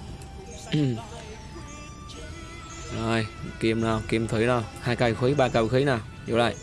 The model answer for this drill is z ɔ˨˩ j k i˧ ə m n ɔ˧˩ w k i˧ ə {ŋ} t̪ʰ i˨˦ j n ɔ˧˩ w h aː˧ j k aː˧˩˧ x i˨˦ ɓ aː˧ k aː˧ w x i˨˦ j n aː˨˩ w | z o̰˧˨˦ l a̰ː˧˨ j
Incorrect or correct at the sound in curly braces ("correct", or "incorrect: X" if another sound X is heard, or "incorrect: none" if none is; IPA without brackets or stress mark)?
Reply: incorrect: m